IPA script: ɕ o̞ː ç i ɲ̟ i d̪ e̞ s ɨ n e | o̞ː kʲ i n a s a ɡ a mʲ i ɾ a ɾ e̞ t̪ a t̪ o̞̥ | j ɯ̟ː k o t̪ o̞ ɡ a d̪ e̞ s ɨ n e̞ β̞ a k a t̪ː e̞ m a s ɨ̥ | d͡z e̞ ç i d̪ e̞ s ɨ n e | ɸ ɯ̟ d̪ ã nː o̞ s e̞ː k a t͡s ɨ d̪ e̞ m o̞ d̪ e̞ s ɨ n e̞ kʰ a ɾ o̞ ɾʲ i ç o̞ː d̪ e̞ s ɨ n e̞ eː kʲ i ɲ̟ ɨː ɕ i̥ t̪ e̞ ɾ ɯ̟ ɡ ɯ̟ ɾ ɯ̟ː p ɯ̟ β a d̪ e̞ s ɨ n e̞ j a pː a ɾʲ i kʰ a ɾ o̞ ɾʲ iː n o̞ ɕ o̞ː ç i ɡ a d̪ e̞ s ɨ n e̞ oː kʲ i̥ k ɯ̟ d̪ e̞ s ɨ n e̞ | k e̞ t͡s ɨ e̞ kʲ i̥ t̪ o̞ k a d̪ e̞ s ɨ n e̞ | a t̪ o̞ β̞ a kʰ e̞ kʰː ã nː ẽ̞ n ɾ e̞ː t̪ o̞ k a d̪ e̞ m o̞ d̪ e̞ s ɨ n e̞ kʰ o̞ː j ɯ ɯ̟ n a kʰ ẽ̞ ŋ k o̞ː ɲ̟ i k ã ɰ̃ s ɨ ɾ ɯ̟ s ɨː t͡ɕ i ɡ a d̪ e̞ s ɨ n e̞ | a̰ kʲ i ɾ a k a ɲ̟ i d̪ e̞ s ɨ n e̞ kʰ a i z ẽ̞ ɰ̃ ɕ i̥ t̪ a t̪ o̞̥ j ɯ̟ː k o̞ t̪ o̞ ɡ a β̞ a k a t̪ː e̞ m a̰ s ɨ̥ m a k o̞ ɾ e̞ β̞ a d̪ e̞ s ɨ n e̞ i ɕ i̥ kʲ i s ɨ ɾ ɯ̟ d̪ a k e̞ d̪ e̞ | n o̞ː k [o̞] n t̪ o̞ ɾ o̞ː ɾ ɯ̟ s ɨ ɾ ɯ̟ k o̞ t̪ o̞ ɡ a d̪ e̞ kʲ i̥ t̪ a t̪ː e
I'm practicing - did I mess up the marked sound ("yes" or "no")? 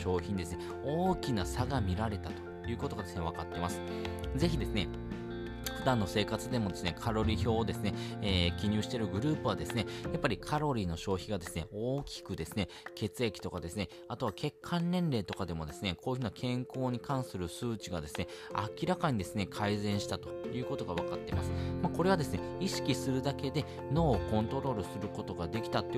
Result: yes